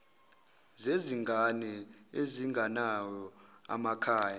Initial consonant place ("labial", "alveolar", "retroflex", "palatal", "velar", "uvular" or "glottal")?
alveolar